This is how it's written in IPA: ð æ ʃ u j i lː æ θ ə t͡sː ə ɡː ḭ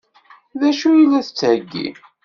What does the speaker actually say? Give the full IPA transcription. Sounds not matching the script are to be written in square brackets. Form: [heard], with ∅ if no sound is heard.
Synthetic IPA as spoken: ð æ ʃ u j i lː æ θ ə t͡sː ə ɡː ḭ